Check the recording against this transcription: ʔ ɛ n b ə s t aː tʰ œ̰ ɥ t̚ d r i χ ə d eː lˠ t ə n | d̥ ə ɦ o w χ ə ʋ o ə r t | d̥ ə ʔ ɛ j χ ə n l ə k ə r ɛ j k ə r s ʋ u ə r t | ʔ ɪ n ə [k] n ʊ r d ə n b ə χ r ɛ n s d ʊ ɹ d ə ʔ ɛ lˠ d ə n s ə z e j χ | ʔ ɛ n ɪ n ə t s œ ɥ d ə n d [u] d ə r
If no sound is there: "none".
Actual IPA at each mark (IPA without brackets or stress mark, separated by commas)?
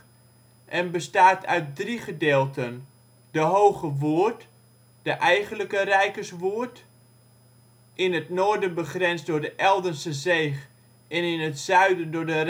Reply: t, ʊ